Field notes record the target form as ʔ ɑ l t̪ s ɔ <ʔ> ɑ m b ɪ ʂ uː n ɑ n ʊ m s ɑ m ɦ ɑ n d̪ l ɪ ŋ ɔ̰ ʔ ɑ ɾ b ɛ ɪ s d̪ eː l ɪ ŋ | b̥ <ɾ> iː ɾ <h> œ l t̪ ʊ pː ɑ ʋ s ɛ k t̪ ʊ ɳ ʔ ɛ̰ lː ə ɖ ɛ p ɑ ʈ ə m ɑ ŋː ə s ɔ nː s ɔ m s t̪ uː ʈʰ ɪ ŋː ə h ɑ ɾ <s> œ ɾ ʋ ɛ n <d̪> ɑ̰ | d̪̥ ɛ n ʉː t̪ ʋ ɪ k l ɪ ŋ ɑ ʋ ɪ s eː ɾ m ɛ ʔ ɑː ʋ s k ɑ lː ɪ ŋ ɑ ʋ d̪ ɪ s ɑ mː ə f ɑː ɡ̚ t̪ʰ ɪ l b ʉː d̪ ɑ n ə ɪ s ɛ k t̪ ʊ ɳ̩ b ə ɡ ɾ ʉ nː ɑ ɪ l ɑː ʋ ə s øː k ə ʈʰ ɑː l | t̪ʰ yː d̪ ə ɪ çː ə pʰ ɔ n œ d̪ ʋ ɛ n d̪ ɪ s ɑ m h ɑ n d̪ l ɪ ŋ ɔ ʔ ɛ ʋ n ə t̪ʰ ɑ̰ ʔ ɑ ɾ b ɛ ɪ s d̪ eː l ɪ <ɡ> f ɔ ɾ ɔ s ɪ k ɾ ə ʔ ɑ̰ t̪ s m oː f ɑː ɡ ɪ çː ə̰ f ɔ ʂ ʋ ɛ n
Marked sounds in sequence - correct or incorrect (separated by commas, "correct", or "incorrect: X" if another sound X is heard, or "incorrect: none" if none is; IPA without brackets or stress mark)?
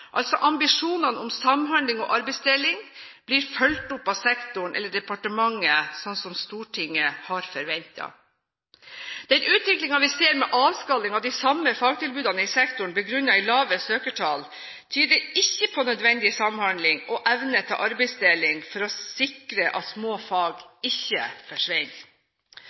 correct, incorrect: l, incorrect: f, incorrect: f, incorrect: t̪, incorrect: ŋ